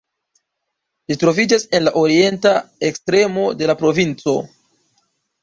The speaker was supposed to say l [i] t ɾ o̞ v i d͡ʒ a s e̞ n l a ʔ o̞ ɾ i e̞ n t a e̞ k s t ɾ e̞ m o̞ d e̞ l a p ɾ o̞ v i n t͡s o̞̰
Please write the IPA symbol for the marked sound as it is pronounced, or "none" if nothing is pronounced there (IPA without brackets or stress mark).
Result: i